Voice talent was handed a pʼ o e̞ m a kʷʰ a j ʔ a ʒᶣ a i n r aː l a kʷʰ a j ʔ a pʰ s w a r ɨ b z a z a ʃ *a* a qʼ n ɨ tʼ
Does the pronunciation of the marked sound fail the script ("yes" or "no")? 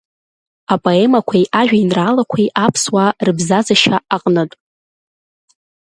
no